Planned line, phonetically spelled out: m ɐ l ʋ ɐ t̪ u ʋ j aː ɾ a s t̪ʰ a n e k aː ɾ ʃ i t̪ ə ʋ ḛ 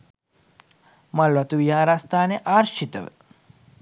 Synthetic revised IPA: m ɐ l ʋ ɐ t̪ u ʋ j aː ɾ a s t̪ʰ a n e ʔ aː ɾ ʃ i t̪ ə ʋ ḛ